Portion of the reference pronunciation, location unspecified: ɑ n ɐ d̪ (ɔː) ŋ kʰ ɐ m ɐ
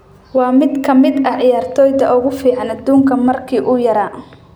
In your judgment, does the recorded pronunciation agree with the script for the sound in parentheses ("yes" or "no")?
no